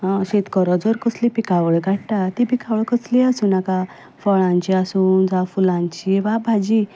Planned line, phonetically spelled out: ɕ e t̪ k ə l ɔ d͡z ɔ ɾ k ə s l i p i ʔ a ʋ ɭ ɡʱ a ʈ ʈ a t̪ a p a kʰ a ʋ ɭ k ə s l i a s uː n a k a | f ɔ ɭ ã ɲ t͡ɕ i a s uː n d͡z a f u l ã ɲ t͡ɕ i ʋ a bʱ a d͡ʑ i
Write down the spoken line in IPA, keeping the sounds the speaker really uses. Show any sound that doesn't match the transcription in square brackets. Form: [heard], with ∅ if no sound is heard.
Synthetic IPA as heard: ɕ e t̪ k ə [ɾ] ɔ d͡z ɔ ɾ k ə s l i p i [k] a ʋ ɭ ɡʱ a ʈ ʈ a t̪ [i] p [i] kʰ a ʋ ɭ k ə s l i a s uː n a k a | f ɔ ɭ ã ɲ t͡ɕ i a s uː n d͡z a f u l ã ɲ t͡ɕ i ʋ a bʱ a d͡ʑ i